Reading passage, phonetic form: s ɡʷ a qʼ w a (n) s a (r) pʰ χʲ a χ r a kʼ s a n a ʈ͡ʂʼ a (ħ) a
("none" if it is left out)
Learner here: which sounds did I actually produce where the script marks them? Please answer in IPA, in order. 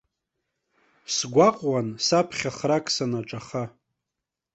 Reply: n, none, χ

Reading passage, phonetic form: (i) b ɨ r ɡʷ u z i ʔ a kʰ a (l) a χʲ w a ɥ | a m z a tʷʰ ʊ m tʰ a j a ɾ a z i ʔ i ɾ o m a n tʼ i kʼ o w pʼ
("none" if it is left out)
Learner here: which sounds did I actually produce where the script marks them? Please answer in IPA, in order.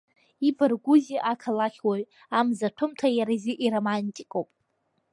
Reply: i, l

